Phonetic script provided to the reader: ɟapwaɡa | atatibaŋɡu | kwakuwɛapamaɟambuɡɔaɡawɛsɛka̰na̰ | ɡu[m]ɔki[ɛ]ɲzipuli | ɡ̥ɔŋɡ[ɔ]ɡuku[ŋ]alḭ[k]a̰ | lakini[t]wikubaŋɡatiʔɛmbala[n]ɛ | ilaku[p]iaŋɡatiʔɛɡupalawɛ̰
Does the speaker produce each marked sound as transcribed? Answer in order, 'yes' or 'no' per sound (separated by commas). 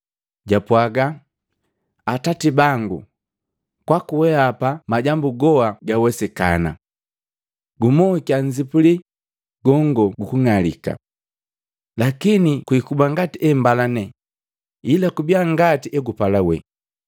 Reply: yes, no, yes, yes, yes, no, yes, no